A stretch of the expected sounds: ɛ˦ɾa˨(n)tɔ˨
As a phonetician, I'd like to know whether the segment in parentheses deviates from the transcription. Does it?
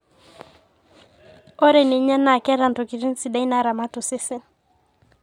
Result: no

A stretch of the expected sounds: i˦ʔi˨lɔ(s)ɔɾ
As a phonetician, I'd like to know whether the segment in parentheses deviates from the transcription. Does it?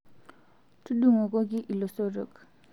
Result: no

